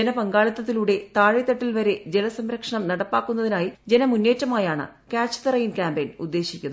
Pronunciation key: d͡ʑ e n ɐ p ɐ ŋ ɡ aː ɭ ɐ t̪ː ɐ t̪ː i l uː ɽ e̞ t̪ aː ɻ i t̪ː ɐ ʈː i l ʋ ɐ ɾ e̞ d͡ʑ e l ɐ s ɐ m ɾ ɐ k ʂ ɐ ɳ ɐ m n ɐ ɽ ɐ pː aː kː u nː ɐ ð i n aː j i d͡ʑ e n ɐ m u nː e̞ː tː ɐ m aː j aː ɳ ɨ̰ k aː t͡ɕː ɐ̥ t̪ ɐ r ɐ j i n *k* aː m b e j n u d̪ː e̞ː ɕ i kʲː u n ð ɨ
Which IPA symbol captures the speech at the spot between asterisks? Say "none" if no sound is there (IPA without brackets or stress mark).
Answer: k